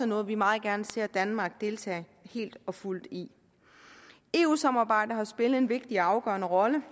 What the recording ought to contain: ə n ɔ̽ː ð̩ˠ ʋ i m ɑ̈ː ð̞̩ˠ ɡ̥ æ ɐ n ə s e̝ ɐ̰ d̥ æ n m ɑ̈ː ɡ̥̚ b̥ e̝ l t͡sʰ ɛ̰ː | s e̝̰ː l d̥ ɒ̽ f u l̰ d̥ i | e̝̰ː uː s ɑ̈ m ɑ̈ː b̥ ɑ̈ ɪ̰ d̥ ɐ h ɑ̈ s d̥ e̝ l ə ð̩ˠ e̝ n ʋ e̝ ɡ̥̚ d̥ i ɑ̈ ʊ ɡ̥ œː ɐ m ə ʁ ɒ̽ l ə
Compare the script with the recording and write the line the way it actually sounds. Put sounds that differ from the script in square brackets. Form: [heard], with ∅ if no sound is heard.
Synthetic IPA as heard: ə n ɔ̽ː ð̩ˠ ʋ i m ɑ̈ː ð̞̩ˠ ɡ̥ æ ɐ n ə s e̝ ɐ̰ d̥ æ n m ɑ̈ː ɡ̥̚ [d̥] e̝ l t͡sʰ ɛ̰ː | [h] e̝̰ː l d̥ ɒ̽ f u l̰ d̥ i | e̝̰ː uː s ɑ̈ m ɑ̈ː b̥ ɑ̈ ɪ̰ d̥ ɐ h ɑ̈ s [b̥] e̝ l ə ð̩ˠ e̝ n ʋ e̝ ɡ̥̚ d̥ i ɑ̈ ʊ ɡ̥ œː ɐ [n] ə ʁ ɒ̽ l ə